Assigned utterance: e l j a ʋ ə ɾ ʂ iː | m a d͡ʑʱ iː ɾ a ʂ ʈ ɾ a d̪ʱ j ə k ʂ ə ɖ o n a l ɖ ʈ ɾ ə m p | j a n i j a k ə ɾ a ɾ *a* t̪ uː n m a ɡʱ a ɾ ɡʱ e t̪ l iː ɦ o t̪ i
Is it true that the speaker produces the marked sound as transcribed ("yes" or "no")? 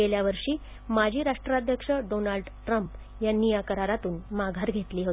yes